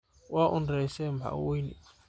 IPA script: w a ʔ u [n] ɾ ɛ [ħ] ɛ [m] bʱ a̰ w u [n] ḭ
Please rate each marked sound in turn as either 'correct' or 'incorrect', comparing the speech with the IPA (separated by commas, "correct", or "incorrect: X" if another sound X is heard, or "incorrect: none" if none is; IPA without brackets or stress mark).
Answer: correct, incorrect: s, correct, correct